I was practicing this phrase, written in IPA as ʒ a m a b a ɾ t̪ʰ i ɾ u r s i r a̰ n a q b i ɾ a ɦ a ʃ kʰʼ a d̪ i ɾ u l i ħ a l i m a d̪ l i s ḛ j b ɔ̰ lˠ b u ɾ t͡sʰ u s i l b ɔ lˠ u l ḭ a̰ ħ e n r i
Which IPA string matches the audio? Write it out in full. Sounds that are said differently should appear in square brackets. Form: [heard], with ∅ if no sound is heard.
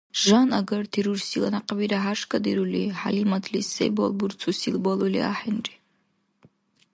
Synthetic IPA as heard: ʒ a [n] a [ɡ] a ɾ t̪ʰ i ɾ u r s i [l] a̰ n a q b i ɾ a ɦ a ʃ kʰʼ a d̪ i ɾ u l i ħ a l i m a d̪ l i s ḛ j b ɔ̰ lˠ b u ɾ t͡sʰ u s i l b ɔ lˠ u l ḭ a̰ ħ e n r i